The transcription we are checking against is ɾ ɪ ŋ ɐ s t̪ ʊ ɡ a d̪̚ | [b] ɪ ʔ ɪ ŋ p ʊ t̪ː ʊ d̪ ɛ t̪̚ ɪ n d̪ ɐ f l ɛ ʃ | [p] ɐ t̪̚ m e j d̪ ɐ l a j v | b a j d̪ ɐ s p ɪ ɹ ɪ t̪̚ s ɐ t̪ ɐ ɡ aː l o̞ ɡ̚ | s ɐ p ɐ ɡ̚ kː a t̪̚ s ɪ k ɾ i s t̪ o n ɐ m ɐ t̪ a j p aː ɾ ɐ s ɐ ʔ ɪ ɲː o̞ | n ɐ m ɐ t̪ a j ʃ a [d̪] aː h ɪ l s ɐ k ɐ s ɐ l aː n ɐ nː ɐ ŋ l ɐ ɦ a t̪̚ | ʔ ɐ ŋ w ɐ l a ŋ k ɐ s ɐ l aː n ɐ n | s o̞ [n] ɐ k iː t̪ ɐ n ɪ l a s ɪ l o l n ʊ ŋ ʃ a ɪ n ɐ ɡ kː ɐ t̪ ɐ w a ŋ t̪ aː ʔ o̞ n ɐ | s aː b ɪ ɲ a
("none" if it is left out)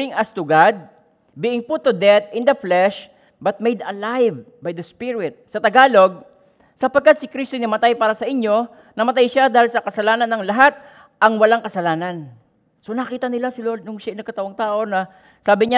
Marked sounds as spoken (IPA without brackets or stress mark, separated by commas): b, b, d̪, n